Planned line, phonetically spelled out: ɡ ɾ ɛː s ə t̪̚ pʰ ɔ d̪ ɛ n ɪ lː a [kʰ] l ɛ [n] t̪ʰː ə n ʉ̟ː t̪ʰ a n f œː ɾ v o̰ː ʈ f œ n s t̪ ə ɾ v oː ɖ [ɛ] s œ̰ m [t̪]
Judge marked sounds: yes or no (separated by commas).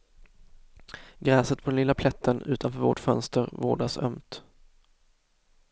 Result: no, no, no, yes